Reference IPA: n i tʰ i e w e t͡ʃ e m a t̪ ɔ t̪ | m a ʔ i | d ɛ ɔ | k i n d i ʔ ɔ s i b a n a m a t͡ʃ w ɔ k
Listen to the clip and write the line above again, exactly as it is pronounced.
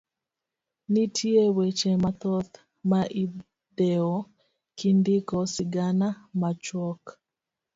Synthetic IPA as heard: n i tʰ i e w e t͡ʃ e m a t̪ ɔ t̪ | m a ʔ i | d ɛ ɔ | k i n d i k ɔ s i ɡ a n a m a t͡ʃ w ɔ k